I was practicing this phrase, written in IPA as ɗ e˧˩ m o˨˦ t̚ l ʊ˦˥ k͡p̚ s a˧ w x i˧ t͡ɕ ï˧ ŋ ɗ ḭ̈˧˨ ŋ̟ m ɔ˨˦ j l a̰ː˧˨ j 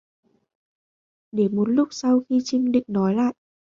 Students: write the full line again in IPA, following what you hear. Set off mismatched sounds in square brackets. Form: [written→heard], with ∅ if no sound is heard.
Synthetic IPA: ɗ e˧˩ m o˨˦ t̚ l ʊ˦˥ k͡p̚ s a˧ w x i˧ t͡ɕ ï˧ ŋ ɗ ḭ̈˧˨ ŋ̟ [m→n] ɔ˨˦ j l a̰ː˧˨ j